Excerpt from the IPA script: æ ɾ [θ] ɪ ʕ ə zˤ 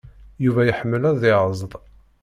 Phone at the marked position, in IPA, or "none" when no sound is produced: ð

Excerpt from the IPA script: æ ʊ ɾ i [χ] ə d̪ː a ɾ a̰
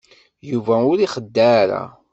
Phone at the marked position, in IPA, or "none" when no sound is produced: χ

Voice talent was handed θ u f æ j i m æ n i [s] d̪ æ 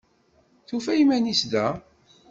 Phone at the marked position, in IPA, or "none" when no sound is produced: s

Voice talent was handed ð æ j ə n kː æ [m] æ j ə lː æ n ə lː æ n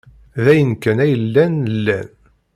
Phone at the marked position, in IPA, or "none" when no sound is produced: n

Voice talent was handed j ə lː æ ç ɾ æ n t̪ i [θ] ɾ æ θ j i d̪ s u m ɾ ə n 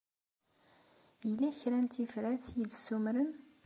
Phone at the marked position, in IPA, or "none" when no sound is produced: f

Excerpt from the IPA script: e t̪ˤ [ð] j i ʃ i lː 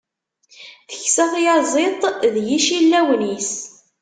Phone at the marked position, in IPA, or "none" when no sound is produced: ð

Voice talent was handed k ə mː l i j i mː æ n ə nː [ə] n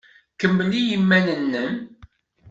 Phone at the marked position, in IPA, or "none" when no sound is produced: ə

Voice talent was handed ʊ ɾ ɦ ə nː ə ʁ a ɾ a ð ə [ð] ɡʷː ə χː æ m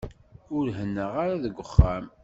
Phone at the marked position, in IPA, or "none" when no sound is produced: none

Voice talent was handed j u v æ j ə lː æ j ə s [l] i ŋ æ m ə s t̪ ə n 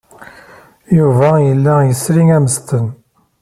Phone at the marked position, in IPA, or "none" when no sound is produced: ɾ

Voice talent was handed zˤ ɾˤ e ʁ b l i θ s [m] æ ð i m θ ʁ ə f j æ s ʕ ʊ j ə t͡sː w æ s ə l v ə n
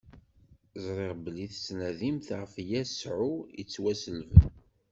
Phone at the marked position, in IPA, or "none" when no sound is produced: n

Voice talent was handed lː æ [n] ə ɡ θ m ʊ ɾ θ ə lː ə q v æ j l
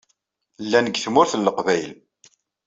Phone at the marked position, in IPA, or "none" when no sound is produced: n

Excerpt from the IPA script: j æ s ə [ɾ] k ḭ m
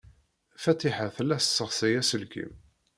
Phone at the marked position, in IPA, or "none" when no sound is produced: l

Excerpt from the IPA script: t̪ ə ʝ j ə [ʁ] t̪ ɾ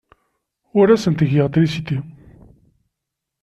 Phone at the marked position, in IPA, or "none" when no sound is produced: ʁ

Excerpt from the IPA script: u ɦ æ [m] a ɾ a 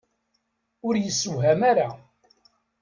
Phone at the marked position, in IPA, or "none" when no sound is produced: m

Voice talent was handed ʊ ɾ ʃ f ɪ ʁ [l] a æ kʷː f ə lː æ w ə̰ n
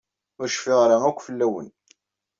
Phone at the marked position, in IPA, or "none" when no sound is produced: ɾ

